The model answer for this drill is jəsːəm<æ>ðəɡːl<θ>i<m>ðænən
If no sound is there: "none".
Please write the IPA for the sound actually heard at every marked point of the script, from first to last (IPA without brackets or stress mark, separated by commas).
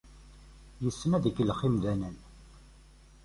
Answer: æ, χ, m